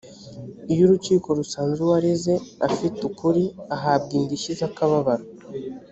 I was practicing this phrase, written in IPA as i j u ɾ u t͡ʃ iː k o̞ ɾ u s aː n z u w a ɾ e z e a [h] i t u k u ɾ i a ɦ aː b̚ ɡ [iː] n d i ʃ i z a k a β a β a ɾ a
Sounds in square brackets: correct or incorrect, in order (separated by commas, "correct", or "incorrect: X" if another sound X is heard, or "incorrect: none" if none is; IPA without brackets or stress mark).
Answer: incorrect: f, correct